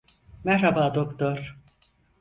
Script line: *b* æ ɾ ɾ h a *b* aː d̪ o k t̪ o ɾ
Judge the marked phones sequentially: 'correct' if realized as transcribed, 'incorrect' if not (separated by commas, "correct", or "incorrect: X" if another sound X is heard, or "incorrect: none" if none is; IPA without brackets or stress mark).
incorrect: m, correct